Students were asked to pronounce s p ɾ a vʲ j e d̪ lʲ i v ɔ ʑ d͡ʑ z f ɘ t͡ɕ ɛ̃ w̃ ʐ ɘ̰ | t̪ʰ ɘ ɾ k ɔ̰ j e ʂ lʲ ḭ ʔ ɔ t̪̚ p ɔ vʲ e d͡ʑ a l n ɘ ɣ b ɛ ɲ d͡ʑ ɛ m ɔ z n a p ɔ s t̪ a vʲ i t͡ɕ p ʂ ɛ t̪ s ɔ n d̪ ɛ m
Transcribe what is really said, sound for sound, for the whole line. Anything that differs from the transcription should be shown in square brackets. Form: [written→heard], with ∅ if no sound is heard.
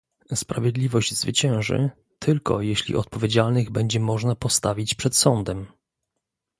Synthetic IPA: s p ɾ a vʲ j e d̪ lʲ i v ɔ ʑ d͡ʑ z [f→v] ɘ t͡ɕ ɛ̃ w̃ ʐ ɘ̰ | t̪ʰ ɘ [ɾ→l] k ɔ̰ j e [ʂ→ɕ] lʲ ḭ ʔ ɔ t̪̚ p ɔ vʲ e d͡ʑ a l n ɘ ɣ b ɛ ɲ d͡ʑ ɛ m ɔ [z→ʐ] n a p ɔ s t̪ a vʲ i t͡ɕ p ʂ ɛ t̪ s ɔ n d̪ ɛ m